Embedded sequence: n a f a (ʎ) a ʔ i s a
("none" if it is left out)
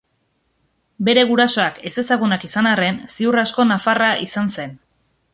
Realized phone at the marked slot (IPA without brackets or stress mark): r